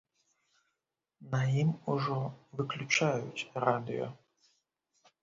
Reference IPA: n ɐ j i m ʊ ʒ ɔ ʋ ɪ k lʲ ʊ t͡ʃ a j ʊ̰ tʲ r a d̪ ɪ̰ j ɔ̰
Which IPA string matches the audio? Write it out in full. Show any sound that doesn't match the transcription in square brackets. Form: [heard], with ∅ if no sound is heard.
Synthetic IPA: n ɐ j i m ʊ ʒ ɔ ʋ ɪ k lʲ ʊ t͡ʃ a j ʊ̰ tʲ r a d̪ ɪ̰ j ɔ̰